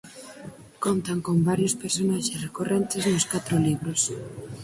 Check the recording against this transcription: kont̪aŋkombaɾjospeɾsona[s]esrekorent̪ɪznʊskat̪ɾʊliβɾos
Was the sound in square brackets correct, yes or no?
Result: no